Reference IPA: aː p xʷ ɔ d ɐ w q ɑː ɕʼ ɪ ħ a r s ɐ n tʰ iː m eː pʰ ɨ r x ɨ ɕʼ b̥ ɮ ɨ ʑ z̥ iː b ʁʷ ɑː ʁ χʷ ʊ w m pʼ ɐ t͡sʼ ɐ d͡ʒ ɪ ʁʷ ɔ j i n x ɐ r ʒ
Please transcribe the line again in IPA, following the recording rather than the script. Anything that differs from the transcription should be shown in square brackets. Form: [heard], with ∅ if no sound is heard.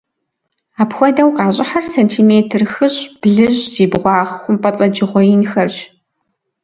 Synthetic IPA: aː p xʷ ɔ d ɐ w q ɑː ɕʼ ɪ ħ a r s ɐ n tʰ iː m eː [tʰ] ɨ r x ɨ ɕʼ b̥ ɮ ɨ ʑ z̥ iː b ʁʷ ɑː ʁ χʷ ʊ [∅] m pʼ ɐ t͡sʼ ɐ d͡ʒ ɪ ʁʷ ɔ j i n x ɐ r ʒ